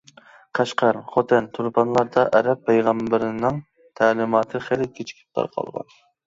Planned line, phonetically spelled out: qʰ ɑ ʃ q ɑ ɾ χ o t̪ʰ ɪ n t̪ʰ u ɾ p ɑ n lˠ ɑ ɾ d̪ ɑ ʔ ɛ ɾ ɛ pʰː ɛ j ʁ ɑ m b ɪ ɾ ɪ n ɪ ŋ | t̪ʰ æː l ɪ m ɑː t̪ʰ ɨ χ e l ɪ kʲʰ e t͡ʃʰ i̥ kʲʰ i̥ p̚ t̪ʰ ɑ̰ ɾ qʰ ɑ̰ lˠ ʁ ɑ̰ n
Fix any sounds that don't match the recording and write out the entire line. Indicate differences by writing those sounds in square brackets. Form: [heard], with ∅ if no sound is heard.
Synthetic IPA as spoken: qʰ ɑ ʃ q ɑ ɾ χ o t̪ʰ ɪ n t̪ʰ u ɾ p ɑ n lˠ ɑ ɾ d̪ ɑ ʔ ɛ ɾ ɛ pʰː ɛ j ʁ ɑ m b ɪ ɾ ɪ n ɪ ŋ | t̪ʰ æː l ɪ m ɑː t̪ʰ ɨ χ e l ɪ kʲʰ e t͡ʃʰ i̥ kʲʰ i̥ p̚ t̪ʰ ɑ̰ ɾ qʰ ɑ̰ lˠ ʁ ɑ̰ n